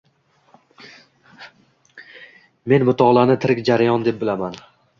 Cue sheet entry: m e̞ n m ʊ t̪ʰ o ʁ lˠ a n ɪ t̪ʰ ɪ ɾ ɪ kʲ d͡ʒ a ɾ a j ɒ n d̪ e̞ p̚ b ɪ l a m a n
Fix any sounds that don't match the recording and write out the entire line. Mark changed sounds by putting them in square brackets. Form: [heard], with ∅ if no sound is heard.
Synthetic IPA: m e̞ n m ʊ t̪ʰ [ɒ] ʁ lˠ a n ɪ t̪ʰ ɪ ɾ ɪ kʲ d͡ʒ a ɾ a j ɒ n d̪ e̞ p̚ b ɪ l a m a n